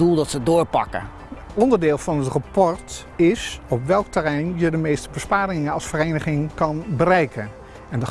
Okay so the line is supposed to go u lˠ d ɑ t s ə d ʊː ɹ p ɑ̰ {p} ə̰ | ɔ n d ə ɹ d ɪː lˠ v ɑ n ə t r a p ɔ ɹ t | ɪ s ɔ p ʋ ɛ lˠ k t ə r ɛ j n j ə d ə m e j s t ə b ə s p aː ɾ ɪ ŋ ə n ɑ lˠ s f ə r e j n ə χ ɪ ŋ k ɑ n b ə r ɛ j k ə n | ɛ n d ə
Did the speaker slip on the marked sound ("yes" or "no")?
yes